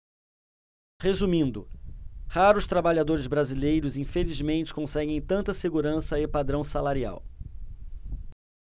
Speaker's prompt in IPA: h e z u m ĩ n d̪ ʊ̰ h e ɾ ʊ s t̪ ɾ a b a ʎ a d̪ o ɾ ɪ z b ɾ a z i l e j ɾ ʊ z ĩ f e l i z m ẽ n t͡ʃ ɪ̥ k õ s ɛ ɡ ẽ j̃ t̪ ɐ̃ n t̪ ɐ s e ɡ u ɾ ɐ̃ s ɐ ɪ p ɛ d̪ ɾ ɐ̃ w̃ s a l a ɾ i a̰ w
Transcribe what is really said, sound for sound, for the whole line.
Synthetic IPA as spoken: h e z u m ĩ n d̪ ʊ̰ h a ɾ ʊ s t̪ ɾ a b a ʎ a d̪ o ɾ ɪ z b ɾ a z i l e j ɾ ʊ z ĩ f e l i z m ẽ n t͡ʃ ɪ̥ k õ s ɛ ɡ ẽ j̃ t̪ ɐ̃ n t̪ ɐ s e ɡ u ɾ ɐ̃ s ɐ ɪ p a d̪ ɾ ɐ̃ w̃ s a l a ɾ i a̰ w